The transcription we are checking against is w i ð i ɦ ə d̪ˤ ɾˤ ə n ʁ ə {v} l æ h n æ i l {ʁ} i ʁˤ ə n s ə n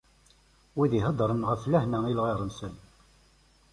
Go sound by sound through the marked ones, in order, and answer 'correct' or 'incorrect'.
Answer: incorrect, correct

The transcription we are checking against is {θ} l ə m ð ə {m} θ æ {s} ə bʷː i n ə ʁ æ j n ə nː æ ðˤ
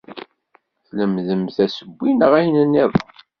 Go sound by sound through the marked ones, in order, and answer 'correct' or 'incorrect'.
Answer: correct, correct, correct

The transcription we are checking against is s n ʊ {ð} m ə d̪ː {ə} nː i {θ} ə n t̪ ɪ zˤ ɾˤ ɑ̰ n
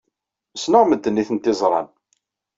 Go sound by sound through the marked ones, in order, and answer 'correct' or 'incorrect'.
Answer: incorrect, correct, correct

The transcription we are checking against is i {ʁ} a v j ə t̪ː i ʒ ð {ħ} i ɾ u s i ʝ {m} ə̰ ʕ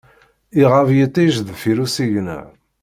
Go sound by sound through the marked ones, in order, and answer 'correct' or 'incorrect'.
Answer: correct, incorrect, incorrect

